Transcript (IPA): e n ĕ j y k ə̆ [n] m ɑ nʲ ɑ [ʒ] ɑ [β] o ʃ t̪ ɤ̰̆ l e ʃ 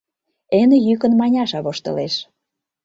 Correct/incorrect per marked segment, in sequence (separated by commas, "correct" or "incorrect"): correct, incorrect, correct